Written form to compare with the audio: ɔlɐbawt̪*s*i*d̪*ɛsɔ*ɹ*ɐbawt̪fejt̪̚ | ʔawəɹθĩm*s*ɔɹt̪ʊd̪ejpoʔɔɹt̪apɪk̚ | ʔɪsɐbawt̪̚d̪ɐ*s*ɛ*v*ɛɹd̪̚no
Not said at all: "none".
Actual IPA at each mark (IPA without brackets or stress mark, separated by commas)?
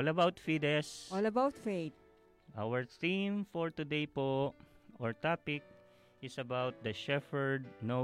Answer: f, d̪, l, f, ʃ, f